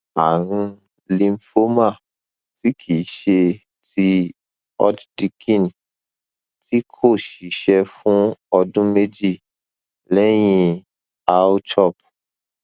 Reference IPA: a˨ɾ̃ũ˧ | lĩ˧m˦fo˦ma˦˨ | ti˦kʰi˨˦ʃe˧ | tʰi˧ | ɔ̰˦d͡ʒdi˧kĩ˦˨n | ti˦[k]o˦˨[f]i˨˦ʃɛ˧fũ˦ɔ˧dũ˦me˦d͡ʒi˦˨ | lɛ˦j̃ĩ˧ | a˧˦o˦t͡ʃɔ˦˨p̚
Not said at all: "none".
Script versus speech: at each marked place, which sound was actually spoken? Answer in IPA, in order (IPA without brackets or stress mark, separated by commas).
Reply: kʰ, ʃ